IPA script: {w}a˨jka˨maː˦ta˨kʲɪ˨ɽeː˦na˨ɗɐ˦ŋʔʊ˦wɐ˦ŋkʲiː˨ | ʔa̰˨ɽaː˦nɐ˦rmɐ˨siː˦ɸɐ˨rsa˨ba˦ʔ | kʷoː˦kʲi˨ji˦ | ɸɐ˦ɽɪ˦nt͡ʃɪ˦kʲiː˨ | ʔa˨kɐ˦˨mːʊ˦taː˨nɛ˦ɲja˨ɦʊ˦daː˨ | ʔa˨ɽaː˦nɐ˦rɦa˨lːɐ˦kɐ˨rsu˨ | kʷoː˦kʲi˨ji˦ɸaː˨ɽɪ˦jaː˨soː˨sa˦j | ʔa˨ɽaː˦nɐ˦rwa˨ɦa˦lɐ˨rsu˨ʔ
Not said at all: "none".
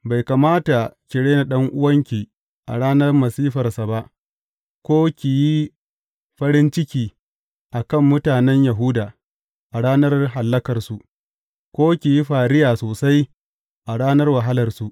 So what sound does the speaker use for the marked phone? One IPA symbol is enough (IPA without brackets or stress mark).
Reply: b